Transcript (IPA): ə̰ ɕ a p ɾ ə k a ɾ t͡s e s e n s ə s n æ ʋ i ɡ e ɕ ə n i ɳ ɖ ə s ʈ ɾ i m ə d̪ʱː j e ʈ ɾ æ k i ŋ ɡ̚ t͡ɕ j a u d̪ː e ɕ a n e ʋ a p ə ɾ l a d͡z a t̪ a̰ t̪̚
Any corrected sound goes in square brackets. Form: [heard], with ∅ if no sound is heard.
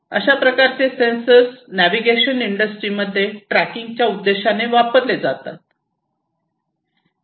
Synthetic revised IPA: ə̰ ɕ a p ɾ ə k a ɾ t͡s e s e n s ə s n æ ʋ i ɡ e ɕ ə n i ɳ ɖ ə s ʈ ɾ i m ə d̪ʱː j e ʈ ɾ æ k i ŋ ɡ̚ t͡ɕ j a u d̪ː e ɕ a n e ʋ a p ə ɾ l [e] d͡z a t̪ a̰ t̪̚